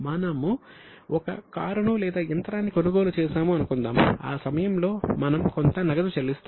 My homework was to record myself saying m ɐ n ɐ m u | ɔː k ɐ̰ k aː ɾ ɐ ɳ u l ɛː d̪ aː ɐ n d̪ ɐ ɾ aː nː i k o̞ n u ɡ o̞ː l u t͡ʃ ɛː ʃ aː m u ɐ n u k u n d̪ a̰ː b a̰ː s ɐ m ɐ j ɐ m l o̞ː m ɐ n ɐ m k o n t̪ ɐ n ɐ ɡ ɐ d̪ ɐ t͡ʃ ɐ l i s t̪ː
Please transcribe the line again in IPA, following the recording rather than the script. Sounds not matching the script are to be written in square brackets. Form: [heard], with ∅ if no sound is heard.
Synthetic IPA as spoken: m ɐ n ɐ m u | [ɔ] k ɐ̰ k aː ɾ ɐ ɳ u l ɛː d̪ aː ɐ n [t̪] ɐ ɾ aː nː i k o̞ n u ɡ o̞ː l u t͡ʃ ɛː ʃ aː m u ɐ n u k u n d̪ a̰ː [m] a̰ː s ɐ m ɐ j ɐ m l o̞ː m ɐ n ɐ m k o n t̪ ɐ n ɐ ɡ ɐ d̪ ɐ t͡ʃ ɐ l i s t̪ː